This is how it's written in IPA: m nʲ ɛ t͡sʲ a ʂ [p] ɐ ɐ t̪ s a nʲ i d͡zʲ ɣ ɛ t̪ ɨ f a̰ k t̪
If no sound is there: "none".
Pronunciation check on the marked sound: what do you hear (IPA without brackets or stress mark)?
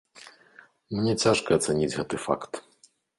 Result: k